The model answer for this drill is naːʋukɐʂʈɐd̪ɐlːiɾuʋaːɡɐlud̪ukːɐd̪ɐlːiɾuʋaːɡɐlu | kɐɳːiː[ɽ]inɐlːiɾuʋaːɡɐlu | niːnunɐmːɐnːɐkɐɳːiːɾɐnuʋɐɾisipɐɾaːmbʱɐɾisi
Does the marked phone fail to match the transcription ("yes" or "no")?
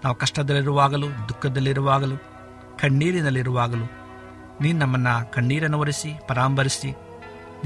yes